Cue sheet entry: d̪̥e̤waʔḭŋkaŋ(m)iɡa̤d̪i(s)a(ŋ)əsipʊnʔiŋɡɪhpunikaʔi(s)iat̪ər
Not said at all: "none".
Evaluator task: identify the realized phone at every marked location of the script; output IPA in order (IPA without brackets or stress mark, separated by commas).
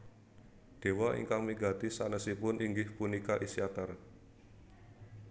m, s, n, s